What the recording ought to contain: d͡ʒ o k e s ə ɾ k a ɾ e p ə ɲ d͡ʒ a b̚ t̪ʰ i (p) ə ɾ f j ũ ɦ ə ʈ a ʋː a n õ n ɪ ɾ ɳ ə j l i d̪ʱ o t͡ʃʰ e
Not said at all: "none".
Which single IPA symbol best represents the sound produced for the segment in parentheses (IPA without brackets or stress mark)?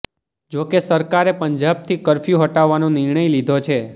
k